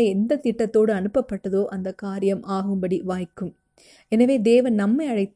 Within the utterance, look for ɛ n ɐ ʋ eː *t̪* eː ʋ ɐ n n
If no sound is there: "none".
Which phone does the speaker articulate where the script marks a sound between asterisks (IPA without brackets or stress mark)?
d̪